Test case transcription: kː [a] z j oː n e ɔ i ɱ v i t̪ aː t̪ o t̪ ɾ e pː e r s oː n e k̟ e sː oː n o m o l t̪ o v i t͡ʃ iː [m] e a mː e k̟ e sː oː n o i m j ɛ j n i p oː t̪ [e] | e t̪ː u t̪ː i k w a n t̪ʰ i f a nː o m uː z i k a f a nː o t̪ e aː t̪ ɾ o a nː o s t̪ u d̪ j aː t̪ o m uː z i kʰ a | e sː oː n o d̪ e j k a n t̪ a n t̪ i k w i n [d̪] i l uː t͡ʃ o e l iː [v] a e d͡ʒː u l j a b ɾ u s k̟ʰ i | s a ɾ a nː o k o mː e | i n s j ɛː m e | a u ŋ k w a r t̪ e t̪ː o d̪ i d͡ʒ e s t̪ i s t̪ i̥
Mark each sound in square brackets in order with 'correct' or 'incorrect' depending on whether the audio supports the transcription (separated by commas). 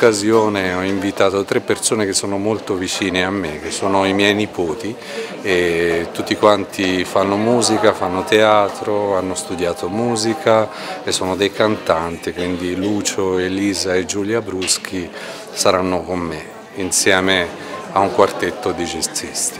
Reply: correct, incorrect, incorrect, correct, incorrect